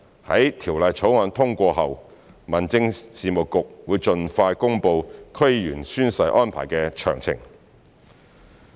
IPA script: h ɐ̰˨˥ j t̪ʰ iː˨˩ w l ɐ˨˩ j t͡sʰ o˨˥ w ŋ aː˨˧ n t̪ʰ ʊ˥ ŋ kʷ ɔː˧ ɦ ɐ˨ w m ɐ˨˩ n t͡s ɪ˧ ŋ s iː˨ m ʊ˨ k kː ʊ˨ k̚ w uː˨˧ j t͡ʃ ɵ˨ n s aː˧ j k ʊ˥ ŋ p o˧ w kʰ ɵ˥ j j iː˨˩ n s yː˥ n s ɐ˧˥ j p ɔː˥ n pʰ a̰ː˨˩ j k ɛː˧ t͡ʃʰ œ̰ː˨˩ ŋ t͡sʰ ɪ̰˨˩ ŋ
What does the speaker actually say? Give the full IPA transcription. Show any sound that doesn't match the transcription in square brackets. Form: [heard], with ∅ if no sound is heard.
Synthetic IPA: h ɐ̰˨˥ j t̪ʰ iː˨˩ w l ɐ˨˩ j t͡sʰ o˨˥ w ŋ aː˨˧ n t̪ʰ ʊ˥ ŋ kʷ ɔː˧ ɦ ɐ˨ w m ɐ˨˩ n t͡s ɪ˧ ŋ s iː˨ m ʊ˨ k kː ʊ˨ k̚ w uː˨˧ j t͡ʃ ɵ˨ n [f] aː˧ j k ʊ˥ ŋ p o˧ w kʰ ɵ˥ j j [yː˨˩] n s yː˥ n s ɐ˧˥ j [ʔ] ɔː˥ n pʰ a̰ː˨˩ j k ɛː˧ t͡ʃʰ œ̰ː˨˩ ŋ t͡sʰ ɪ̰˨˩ ŋ